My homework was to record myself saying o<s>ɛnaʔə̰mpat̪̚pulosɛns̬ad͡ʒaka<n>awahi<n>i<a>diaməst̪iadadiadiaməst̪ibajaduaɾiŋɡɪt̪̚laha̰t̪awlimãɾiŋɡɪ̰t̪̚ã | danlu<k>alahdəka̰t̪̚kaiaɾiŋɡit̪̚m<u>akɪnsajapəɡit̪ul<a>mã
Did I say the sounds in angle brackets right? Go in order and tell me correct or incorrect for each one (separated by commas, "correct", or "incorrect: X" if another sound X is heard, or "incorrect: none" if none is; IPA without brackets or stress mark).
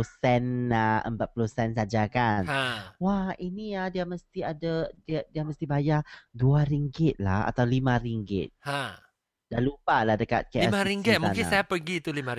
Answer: correct, correct, correct, correct, incorrect: p, correct, incorrect: i